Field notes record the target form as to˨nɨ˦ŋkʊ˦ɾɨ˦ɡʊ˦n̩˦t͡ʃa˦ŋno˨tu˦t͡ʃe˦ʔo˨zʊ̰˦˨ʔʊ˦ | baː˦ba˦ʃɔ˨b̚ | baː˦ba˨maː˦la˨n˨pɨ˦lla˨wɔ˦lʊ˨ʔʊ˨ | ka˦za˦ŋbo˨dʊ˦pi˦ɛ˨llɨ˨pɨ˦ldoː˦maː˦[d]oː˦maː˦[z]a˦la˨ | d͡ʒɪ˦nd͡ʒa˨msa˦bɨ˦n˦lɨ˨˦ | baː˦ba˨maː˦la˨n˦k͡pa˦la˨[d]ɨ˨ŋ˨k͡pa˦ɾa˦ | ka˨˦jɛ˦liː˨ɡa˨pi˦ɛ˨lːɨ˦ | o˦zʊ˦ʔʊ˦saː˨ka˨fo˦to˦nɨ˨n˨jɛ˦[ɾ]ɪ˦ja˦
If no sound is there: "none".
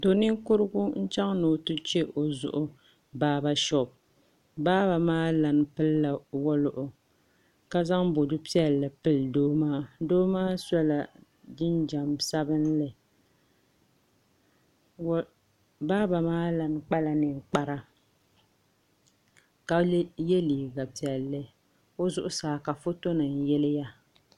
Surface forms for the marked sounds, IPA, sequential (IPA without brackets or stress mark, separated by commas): d, s, n, l